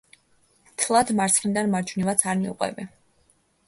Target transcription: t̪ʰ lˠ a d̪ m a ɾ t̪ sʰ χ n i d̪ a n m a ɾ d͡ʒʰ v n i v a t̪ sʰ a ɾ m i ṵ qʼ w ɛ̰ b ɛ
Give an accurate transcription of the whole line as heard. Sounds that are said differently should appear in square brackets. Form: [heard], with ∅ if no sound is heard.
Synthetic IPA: t̪ʰ lˠ a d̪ m a ɾ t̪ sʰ χ n i d̪ a n m a ɾ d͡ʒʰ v n i v a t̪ sʰ a ɾ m i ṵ qʼ w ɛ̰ b ɛ

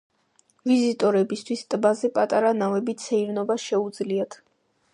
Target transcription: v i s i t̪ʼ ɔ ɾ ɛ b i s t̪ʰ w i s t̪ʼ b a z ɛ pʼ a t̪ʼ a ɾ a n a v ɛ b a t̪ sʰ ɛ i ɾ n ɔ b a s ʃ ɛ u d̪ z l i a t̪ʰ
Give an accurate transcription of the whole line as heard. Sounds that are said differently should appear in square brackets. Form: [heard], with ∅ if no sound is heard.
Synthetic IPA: v i [z] i t̪ʼ ɔ ɾ ɛ b i s t̪ʰ w i s t̪ʼ b a z ɛ pʼ a t̪ʼ a ɾ a n a v ɛ b [i] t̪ sʰ ɛ i ɾ n ɔ b a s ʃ ɛ u d̪ z l i a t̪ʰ

